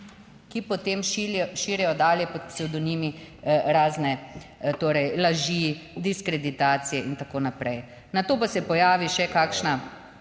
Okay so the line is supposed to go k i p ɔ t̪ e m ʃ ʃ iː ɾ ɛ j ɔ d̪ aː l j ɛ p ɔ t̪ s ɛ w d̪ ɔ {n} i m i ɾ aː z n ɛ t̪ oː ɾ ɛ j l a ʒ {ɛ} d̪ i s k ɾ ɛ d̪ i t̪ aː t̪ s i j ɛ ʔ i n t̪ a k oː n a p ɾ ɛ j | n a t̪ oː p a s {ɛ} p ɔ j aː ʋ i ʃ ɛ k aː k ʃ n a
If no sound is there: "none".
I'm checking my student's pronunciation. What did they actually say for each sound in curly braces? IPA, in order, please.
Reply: n, i, ɛ

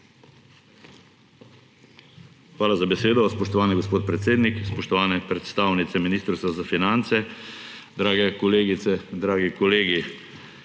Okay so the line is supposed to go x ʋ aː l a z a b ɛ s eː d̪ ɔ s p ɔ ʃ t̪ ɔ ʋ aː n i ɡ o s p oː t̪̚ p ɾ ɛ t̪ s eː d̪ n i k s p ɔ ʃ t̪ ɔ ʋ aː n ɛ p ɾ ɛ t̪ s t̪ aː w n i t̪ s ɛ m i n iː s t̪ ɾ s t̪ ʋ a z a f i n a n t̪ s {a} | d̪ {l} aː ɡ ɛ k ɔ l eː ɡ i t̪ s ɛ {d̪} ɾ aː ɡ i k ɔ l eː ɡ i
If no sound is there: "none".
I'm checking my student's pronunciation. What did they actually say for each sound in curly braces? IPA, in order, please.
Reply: ɛ, ɾ, d̪

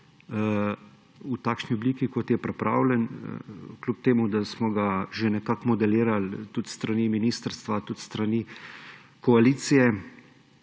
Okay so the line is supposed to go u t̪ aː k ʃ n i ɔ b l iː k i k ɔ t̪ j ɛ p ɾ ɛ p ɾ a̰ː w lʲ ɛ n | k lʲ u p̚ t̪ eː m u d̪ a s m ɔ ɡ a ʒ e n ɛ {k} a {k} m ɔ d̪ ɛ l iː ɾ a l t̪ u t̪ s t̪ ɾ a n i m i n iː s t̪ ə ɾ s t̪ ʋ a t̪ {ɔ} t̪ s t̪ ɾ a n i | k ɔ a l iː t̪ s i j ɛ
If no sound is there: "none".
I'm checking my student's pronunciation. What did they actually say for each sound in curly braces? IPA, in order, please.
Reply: k, k, u

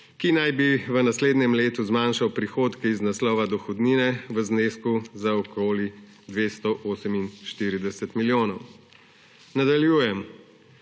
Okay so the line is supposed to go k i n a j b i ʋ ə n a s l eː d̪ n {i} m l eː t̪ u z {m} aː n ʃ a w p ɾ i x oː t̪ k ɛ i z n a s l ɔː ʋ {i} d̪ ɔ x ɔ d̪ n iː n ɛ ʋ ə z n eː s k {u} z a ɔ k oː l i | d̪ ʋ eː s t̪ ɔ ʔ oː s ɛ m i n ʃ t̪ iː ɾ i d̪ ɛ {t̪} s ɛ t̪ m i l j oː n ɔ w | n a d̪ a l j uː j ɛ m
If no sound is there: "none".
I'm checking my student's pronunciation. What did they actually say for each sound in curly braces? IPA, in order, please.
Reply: ɛ, m, a, u, none

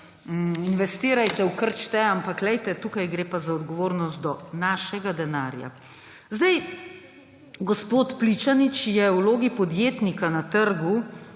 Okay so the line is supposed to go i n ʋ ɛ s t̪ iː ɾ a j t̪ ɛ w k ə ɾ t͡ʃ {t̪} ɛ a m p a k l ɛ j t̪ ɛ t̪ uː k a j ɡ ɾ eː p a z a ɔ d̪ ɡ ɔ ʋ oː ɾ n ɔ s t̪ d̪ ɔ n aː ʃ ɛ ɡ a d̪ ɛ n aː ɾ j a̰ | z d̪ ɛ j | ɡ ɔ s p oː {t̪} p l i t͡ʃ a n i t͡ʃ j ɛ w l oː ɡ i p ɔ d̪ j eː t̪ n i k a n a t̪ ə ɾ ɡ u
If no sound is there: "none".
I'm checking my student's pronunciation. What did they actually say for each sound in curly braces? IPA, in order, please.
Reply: t̪, t̪

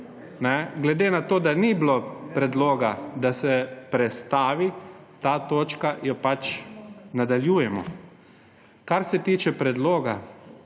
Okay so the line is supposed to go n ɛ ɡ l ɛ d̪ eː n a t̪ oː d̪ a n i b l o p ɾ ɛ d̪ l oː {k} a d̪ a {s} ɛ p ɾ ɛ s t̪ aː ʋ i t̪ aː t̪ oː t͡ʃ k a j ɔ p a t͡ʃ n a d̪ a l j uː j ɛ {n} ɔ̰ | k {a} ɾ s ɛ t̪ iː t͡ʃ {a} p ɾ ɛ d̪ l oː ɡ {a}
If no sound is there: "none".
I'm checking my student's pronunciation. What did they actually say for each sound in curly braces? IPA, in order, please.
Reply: ɡ, s, m, a, ɛ, a

